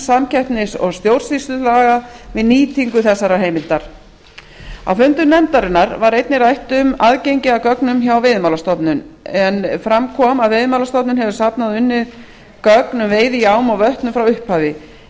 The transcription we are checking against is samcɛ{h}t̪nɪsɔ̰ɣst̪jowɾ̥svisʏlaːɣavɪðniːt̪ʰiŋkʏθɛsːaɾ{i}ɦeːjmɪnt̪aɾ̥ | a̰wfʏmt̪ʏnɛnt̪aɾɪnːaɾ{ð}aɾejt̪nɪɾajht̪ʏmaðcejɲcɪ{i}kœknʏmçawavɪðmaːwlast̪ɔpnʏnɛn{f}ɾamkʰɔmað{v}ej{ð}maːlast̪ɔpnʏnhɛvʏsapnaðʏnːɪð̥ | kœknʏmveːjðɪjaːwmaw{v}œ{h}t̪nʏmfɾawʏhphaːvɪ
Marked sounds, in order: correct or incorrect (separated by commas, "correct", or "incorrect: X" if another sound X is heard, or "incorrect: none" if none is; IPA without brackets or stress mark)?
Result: correct, incorrect: a, incorrect: v, incorrect: a, correct, correct, correct, correct, correct